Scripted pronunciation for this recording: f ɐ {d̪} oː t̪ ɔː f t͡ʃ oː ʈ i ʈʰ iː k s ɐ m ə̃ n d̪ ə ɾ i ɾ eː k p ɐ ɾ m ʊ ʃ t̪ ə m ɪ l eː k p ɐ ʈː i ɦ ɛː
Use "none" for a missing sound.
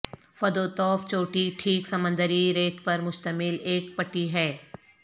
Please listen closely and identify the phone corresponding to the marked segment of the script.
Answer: d̪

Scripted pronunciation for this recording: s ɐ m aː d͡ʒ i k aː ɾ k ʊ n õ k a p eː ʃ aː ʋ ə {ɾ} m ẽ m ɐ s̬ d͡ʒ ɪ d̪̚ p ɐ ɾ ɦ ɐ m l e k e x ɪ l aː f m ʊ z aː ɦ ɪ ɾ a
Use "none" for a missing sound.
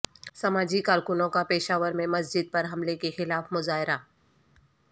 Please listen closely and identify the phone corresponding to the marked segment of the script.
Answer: ɾ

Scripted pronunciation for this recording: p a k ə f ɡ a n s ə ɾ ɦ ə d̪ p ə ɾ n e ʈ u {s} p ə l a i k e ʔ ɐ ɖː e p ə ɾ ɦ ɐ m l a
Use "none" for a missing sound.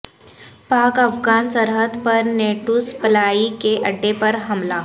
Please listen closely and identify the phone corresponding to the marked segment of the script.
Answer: s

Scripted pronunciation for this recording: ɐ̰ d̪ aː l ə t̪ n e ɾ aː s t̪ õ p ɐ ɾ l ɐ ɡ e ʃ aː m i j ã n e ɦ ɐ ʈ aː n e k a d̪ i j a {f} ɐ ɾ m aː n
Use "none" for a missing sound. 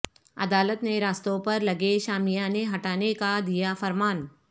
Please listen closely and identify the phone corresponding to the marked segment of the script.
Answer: f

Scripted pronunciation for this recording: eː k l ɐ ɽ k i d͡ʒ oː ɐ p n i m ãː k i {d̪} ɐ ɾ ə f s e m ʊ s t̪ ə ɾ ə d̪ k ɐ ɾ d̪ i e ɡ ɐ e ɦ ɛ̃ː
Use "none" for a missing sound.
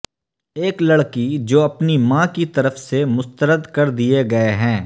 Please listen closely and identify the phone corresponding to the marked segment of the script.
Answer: t̪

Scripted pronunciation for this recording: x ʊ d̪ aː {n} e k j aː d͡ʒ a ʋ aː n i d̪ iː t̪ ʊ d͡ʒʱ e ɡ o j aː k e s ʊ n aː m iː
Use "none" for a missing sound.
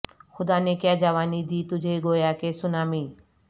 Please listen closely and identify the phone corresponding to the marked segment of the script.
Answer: n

